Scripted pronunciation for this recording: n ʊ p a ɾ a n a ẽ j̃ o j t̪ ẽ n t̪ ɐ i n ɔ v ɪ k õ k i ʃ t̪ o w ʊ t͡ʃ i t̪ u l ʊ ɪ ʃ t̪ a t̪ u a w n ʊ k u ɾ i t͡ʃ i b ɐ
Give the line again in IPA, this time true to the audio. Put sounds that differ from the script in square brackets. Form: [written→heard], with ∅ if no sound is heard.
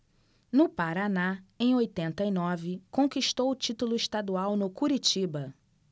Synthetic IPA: n ʊ p a ɾ a n a ẽ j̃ o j t̪ ẽ n t̪ ɐ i n ɔ v ɪ k õ k i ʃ t̪ o w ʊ t͡ʃ i t̪ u l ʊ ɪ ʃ t̪ a [t̪→d̪] u a w n ʊ k u ɾ i t͡ʃ i b ɐ